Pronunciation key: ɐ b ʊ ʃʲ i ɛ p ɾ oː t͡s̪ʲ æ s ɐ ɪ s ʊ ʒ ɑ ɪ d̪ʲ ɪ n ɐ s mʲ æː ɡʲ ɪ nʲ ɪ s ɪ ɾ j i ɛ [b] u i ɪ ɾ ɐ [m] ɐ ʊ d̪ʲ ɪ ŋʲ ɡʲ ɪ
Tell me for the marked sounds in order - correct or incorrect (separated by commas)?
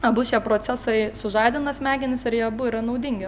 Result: correct, incorrect